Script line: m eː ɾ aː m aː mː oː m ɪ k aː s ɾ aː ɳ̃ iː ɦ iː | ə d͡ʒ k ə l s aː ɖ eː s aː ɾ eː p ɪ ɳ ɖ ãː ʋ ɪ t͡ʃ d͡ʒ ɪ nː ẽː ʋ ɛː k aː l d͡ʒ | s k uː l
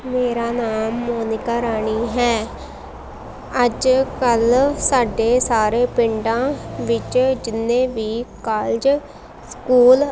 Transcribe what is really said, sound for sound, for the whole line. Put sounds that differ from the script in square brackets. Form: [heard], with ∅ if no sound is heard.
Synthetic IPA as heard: m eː ɾ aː [n] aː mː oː [n] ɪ k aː [∅] ɾ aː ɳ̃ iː ɦ [ɛː] | ə d͡ʒ k ə l s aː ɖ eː s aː ɾ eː p ɪ ɳ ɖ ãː ʋ ɪ t͡ʃ d͡ʒ ɪ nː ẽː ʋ [iː] k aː l d͡ʒ | s k uː l